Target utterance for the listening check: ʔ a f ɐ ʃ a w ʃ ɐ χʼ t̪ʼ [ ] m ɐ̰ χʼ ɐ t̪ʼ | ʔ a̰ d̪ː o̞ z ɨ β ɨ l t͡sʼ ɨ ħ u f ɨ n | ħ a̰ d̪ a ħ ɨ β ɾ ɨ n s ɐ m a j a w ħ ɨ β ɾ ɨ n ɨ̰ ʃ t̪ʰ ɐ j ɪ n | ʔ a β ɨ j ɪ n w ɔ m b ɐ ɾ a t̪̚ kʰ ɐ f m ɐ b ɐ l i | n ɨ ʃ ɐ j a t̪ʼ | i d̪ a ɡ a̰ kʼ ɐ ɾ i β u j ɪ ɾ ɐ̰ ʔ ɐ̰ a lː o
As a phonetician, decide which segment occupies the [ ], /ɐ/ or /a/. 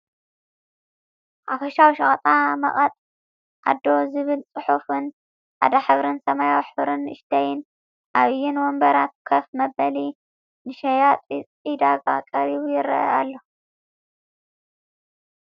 a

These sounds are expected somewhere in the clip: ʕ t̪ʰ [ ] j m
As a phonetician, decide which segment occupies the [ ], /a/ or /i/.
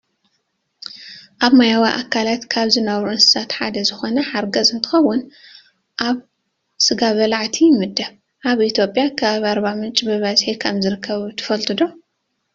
i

